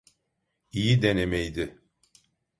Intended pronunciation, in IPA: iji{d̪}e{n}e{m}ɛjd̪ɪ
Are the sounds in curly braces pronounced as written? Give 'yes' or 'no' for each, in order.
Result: yes, yes, yes

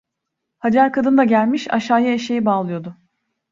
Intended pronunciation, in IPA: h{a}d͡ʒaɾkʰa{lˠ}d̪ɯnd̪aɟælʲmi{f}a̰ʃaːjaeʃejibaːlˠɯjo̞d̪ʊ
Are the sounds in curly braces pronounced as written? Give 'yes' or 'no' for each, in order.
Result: yes, no, no

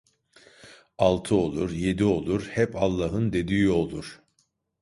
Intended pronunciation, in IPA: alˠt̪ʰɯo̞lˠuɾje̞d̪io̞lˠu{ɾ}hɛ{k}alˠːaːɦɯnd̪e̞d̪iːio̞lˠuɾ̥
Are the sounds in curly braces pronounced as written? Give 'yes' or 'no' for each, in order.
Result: yes, no

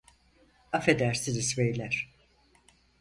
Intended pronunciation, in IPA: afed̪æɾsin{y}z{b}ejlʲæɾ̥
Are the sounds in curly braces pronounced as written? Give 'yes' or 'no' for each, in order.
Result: no, no

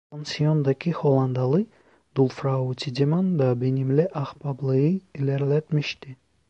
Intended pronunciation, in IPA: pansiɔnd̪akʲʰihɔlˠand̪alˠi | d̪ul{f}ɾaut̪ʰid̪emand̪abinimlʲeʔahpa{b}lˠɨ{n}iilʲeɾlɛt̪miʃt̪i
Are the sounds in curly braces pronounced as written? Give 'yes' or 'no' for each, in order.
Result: yes, yes, no

